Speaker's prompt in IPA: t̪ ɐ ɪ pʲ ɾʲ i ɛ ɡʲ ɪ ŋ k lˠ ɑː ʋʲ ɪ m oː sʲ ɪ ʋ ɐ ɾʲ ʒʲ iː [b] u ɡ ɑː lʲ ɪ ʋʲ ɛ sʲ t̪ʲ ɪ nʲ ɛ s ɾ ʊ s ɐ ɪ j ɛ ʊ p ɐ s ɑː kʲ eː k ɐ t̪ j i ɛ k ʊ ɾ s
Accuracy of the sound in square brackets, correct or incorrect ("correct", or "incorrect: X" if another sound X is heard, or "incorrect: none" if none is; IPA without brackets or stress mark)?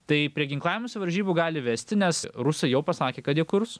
correct